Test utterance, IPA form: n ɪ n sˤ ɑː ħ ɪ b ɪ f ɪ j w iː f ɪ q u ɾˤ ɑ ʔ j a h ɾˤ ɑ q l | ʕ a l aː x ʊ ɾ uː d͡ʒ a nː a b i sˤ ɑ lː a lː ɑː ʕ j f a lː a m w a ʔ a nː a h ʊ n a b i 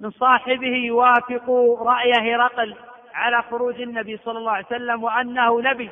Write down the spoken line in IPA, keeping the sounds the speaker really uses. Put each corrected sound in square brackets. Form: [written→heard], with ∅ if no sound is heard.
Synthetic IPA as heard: [n→m] ɪ n sˤ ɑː ħ ɪ b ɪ [f→h] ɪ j w [iː→aː] f ɪ q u ɾˤ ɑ ʔ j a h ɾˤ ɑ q l | ʕ a l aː x ʊ ɾ uː d͡ʒ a nː a b i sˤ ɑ lː [a→ɑ] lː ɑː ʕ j [f→s] a lː a m w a ʔ a nː a h ʊ n a b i